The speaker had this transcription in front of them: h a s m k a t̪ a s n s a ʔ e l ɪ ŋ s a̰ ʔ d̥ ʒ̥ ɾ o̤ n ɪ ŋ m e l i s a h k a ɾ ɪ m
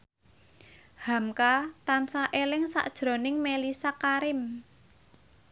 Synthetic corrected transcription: h a m k a t̪ a n s a ʔ e l ɪ ŋ s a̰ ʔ d̥ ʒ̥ ɾ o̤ n ɪ ŋ m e l i s a k a ɾ ɪ m